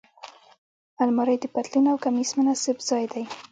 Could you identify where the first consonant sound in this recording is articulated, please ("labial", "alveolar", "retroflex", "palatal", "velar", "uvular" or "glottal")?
alveolar